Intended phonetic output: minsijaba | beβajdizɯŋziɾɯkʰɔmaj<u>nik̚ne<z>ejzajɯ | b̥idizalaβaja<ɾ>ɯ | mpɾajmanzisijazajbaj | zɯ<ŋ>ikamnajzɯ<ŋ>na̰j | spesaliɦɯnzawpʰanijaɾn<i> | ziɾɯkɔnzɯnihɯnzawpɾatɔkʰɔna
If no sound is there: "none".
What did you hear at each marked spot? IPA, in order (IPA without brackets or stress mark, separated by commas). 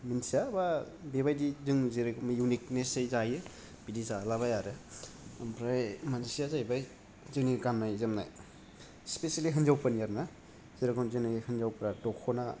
u, s, ɾ, n, m, a